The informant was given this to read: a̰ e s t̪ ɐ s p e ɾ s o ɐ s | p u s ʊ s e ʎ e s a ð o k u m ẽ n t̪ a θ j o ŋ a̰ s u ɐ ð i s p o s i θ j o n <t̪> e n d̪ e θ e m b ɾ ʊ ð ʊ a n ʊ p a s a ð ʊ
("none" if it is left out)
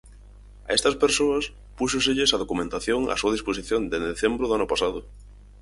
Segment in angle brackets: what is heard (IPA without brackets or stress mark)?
d̪